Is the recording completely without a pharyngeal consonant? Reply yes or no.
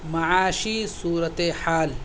no